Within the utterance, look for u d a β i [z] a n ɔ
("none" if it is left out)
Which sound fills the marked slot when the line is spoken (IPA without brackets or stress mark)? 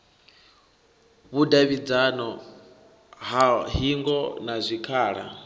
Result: d͡z